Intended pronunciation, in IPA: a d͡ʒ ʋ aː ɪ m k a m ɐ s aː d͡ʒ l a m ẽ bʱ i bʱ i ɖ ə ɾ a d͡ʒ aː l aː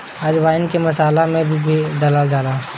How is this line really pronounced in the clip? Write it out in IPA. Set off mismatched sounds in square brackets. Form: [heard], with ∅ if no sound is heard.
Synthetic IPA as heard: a d͡ʒ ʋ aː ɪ [n] k [e] m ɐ s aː [∅] l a m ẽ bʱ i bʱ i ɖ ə [l] a d͡ʒ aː l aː